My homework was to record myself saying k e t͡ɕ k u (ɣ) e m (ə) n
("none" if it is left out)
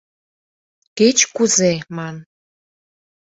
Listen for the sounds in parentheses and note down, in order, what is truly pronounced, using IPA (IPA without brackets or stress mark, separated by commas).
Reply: z, ɑ